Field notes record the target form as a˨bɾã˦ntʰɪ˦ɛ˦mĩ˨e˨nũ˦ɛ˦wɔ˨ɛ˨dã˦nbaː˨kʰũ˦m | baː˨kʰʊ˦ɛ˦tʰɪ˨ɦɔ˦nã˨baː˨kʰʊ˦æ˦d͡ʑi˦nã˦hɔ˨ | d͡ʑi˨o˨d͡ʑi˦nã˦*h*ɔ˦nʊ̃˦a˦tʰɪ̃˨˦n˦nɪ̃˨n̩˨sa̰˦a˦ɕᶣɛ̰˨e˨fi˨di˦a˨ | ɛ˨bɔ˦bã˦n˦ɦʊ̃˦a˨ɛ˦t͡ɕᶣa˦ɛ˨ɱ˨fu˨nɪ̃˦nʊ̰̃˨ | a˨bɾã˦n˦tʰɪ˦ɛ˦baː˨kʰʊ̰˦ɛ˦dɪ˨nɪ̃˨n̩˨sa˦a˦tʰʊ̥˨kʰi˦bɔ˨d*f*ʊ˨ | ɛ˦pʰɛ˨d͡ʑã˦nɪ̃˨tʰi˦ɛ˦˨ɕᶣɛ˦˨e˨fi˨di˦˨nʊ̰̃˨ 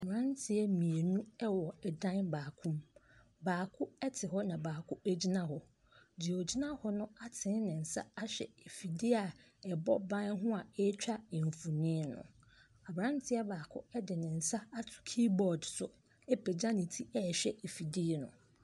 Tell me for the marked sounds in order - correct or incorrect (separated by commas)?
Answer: correct, incorrect